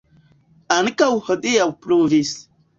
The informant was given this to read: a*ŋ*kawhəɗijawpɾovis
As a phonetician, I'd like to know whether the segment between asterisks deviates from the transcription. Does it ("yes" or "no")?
yes